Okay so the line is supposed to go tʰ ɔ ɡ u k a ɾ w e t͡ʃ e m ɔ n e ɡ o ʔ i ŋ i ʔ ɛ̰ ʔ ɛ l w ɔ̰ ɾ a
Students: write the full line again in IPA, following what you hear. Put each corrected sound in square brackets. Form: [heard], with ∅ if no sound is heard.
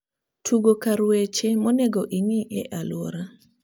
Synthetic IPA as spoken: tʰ [u] ɡ [o] k a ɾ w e t͡ʃ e m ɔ n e ɡ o ʔ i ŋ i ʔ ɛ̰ ʔ [a] l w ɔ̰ ɾ a